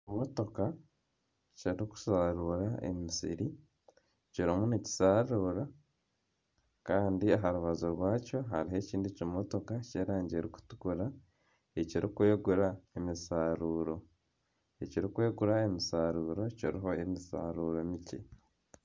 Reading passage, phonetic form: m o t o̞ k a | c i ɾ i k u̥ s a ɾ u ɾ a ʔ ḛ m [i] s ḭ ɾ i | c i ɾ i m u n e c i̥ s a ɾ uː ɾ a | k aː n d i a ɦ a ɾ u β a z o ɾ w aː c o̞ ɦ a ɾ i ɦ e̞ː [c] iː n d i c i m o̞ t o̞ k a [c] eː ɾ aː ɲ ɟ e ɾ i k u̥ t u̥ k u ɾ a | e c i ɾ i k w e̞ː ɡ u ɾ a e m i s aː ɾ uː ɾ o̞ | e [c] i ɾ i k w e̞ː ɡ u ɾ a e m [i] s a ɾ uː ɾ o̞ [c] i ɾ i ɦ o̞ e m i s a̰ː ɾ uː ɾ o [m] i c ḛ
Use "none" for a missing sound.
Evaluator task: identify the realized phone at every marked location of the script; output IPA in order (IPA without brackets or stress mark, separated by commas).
i, c, c, c, i, c, m